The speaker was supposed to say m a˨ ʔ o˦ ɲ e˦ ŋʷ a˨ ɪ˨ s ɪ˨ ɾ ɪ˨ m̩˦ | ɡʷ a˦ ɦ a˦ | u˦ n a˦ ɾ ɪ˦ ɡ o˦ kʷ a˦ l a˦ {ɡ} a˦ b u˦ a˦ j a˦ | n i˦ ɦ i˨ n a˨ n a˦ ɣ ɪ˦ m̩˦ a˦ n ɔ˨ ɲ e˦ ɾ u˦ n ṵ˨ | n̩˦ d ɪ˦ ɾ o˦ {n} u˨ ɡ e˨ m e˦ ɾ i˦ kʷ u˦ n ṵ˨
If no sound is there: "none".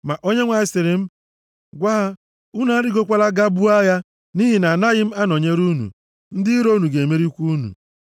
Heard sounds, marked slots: ɡ, n

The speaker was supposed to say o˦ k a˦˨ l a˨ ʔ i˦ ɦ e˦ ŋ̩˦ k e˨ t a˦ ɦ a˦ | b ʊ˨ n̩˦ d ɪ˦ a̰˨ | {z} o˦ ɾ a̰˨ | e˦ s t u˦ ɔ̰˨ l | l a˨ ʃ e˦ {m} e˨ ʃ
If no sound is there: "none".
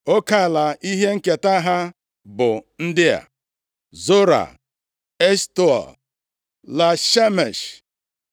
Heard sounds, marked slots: z, m

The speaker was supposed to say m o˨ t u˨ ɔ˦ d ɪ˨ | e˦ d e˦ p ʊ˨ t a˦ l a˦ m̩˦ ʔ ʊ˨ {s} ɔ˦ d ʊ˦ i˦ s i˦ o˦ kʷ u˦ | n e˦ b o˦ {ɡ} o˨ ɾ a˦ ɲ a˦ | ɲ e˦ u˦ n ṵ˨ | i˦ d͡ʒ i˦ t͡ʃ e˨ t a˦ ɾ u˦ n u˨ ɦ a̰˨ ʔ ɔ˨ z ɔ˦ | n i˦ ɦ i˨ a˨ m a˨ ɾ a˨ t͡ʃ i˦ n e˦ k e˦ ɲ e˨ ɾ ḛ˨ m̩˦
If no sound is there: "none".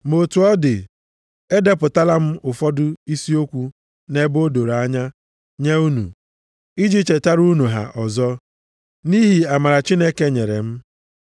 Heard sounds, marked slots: f, d

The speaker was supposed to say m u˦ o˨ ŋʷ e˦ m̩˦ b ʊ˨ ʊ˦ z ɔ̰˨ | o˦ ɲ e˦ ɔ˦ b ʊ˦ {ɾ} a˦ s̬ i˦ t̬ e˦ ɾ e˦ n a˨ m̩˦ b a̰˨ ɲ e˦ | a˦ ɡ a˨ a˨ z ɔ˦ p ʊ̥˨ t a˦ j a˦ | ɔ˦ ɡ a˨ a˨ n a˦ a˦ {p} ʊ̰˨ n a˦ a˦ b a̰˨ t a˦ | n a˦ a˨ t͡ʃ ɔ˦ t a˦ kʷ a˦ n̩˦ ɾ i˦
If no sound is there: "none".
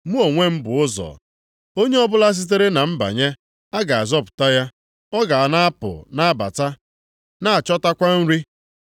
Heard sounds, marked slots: l, p

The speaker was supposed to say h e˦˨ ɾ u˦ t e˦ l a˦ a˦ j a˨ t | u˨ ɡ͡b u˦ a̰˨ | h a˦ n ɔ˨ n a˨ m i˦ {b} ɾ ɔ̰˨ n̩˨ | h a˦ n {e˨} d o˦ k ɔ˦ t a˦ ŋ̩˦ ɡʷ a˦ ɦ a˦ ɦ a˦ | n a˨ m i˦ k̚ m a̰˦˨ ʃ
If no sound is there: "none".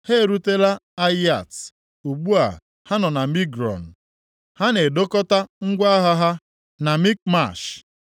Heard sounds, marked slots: ɡ, e˨

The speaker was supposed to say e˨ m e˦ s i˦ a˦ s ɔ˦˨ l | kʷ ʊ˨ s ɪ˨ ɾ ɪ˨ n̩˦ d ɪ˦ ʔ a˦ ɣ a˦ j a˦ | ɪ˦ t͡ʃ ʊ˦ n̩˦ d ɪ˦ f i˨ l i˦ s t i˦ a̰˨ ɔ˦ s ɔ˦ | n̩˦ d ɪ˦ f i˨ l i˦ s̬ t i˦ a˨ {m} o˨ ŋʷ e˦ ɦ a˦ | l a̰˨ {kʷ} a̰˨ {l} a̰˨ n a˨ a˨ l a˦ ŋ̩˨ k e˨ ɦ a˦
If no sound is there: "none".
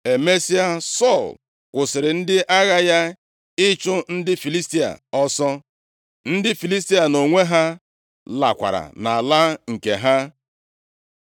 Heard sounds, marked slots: n, kʷ, ɾ

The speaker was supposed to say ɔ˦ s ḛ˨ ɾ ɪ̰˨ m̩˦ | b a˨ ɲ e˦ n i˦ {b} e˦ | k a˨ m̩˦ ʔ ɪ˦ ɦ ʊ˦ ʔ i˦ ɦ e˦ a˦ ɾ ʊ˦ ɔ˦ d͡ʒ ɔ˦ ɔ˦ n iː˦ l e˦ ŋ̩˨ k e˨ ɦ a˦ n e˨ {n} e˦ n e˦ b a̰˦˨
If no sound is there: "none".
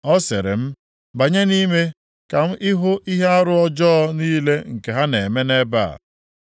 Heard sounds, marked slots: m, m

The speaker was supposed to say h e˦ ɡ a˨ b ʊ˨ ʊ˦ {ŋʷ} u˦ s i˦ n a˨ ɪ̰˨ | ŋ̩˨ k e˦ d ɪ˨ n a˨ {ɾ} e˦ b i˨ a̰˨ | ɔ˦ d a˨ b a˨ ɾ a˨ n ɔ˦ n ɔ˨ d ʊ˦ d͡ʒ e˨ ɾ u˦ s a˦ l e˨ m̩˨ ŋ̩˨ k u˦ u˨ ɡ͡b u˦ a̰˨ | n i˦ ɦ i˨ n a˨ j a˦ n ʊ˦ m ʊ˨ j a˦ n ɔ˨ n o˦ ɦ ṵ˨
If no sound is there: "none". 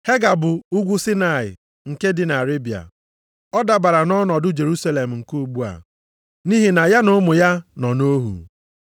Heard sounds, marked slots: ɡʷ, ɾ

